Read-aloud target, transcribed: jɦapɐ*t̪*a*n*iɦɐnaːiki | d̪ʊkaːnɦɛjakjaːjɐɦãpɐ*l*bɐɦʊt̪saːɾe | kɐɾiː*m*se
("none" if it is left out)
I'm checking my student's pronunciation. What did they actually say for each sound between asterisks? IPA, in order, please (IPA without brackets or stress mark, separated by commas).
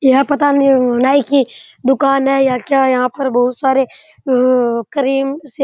t̪, n, ɾ, m